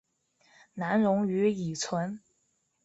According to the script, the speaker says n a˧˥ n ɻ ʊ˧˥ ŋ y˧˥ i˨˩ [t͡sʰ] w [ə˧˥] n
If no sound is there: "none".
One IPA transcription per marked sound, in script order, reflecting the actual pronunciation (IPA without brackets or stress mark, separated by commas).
t͡sʰ, ə˧˥